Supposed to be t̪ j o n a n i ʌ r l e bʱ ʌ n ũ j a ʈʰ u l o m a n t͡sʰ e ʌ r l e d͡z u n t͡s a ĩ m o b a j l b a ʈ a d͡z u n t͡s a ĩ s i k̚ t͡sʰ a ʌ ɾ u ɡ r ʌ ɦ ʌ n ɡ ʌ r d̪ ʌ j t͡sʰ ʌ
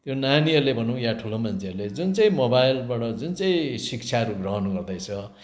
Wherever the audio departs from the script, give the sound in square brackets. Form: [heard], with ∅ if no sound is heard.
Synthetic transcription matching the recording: t̪ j o n a n i ʌ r l e bʱ ʌ n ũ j a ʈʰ u l o m a n t͡sʰ e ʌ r l e d͡z u n t͡s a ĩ m o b a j l b a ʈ [ʌ] d͡z u n t͡s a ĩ s i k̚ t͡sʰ a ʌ ɾ u ɡ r ʌ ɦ ʌ n ɡ ʌ r d̪ ʌ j t͡sʰ ʌ